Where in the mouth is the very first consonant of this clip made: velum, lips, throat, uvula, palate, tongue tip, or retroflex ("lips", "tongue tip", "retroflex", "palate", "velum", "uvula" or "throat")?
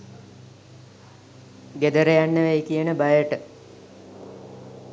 velum